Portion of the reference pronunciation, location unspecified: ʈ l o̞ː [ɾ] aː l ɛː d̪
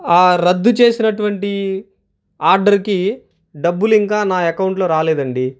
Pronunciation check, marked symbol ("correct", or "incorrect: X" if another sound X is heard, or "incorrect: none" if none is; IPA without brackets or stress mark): correct